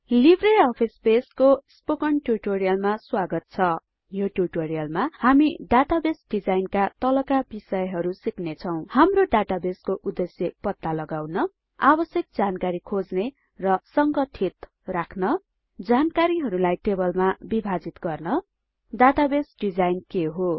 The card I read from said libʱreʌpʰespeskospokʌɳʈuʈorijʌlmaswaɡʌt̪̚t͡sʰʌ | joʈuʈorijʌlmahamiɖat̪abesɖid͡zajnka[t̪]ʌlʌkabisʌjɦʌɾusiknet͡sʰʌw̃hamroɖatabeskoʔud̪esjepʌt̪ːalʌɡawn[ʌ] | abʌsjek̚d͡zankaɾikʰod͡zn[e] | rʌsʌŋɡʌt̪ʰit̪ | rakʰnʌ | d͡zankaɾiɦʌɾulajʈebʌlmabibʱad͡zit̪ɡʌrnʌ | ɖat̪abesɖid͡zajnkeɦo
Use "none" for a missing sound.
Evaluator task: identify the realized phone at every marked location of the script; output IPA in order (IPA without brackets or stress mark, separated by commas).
t̪, ʌ, e